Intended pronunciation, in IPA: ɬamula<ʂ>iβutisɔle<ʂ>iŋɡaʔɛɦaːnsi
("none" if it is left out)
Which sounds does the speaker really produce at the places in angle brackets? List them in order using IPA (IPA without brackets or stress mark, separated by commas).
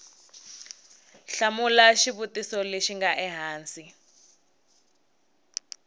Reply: ʃ, ʃ